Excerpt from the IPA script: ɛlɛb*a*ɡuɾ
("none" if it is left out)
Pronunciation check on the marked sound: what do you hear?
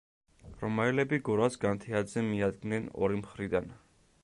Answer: i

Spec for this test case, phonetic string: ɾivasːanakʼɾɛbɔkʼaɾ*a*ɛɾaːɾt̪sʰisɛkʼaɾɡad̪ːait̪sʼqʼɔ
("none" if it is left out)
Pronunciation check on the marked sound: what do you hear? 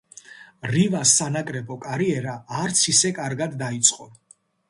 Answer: i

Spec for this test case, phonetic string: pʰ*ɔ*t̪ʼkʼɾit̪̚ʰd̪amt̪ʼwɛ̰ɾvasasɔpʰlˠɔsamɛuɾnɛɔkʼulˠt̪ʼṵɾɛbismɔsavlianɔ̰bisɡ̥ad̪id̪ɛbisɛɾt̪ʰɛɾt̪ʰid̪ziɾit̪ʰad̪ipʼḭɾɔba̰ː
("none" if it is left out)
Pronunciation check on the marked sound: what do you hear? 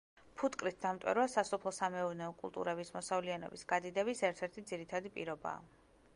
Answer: u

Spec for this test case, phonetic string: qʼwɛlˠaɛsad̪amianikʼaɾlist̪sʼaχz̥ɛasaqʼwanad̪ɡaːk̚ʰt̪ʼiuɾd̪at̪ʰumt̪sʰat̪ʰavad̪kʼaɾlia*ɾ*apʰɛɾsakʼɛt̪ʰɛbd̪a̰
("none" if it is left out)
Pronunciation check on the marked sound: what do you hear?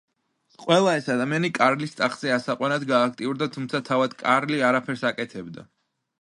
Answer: ɾ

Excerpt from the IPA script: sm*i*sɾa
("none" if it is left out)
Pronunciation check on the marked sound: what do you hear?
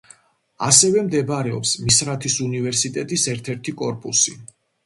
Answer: i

